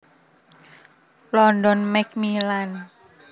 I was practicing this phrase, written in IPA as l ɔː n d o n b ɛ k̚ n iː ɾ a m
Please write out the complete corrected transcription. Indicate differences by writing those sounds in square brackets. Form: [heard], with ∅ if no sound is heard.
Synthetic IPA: l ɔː n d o n [m] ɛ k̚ [m] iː [l] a [n]